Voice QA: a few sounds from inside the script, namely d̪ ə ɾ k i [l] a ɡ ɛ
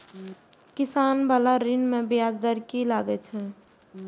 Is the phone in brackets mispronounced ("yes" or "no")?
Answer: no